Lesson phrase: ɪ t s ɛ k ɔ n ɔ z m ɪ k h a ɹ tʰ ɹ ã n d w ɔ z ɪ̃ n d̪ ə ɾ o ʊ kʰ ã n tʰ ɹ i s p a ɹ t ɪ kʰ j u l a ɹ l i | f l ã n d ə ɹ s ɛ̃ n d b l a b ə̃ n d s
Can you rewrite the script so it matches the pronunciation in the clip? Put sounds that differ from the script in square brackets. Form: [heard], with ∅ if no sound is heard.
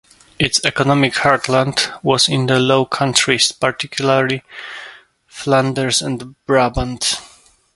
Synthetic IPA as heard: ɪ t s ɛ k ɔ n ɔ [∅] m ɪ k h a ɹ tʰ [l] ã n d w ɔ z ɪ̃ n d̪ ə [l] o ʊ kʰ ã n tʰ ɹ i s p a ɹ t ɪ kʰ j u l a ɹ l i | f l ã n d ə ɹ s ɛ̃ n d b [ɹ] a b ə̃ n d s